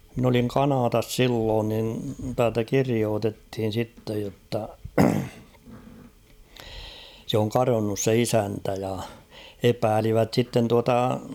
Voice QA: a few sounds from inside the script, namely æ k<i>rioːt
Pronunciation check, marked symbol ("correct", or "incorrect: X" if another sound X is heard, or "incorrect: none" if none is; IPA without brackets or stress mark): correct